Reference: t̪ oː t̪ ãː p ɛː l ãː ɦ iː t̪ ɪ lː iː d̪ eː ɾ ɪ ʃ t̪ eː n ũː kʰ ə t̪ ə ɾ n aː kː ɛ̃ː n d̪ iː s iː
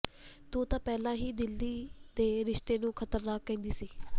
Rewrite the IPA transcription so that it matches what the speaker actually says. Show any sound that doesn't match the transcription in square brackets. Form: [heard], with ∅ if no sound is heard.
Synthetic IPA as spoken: t̪ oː t̪ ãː p ɛː l ãː ɦ iː [d̪] ɪ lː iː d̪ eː ɾ ɪ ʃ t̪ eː n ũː kʰ ə t̪ ə ɾ n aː kː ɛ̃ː n d̪ iː s iː